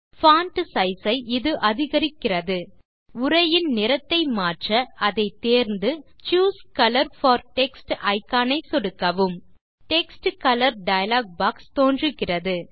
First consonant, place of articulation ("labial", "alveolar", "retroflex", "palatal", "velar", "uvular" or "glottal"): labial